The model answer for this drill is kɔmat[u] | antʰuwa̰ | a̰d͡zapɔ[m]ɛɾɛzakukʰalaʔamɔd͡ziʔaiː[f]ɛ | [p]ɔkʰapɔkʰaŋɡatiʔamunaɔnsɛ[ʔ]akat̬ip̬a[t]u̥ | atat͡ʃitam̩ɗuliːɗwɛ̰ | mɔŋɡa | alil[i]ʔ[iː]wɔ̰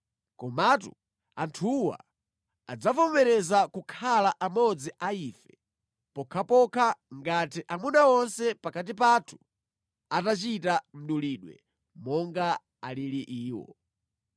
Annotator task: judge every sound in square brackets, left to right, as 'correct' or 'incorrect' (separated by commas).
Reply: correct, correct, correct, correct, incorrect, incorrect, correct, correct